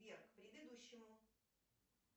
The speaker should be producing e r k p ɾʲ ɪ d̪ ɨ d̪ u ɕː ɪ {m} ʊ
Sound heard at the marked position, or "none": m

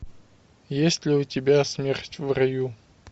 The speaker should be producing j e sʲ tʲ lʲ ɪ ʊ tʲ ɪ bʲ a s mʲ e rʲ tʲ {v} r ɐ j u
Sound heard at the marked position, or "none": v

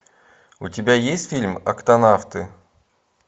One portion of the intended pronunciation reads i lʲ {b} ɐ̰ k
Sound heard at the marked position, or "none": m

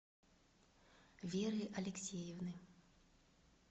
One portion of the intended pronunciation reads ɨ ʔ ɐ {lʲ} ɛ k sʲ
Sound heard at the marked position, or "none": lʲ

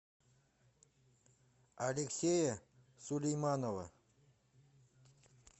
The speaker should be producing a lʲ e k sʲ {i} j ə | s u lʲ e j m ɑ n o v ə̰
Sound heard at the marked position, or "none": e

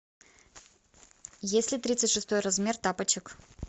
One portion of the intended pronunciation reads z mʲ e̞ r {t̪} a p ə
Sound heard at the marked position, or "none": t̪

